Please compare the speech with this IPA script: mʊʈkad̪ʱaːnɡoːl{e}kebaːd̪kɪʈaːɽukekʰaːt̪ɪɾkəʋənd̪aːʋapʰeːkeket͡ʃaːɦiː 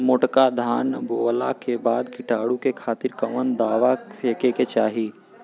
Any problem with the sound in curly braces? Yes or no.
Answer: yes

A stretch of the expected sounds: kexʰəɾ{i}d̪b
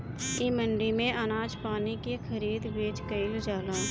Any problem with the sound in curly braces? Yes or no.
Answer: yes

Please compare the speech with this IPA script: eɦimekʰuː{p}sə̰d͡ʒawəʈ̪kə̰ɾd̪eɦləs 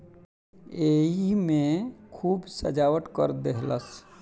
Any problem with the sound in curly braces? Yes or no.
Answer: yes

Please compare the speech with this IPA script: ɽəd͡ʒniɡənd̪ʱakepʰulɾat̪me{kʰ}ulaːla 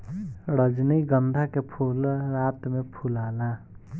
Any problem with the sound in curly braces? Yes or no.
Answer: yes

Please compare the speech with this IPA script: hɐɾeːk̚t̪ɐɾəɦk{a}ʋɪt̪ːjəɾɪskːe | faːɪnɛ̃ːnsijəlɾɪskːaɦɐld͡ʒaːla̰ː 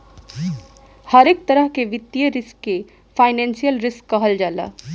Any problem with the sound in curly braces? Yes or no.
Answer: yes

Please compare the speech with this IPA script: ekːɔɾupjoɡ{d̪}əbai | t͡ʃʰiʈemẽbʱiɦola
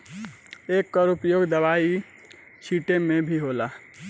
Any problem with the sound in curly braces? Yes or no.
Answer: no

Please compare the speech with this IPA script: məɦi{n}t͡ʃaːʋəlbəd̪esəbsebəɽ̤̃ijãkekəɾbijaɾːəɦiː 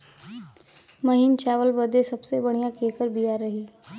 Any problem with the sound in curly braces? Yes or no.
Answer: no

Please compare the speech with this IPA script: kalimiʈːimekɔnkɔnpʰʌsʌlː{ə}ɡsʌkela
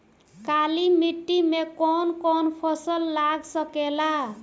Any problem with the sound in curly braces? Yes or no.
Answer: yes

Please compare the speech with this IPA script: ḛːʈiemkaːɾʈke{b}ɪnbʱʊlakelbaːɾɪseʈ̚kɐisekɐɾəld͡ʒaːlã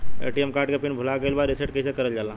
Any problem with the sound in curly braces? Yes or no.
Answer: yes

